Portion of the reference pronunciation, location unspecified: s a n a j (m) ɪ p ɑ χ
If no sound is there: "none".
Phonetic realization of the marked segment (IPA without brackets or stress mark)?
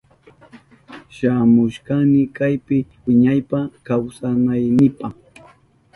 n